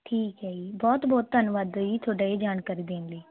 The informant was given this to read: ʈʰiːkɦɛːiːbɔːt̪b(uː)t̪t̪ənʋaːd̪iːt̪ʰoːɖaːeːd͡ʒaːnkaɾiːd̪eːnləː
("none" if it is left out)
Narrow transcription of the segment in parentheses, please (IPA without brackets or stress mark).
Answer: ɔː